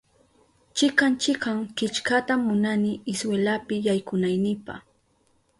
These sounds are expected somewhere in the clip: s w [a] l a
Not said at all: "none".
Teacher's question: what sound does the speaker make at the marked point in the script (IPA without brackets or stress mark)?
e